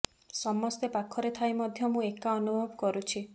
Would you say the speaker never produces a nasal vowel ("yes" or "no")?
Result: no